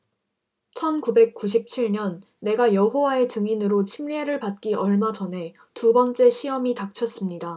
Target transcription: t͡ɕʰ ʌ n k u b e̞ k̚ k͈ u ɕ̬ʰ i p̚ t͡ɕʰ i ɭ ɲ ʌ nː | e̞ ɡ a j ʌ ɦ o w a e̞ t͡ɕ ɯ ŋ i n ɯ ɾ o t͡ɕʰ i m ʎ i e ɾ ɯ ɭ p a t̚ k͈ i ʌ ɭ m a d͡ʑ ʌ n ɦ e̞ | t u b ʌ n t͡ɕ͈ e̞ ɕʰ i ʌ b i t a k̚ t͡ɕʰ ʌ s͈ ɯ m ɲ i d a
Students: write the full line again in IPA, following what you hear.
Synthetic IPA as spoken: t͡ɕʰ ʌ n k u b e̞ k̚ k͈ u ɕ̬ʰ i p̚ t͡ɕʰ i ɭ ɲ ʌ nː | e̞ ɡ a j ʌ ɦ o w a e̞ t͡ɕ ɯ ŋ i n ɯ ɾ o t͡ɕʰ i m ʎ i e ɾ ɯ ɭ p a t̚ k͈ i ʌ ɭ m a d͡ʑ ʌ n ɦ e̞ | t u b ʌ n t͡ɕ͈ e̞ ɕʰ i ʌ m i t a k̚ t͡ɕʰ ʌ s͈ ɯ m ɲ i d a